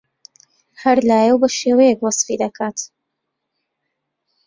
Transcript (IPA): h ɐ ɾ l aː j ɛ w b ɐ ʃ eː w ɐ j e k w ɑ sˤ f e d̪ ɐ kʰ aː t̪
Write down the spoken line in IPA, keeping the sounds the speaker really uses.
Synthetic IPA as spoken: h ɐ ɾ l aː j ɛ w b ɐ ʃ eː w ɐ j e k w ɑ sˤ f i d̪ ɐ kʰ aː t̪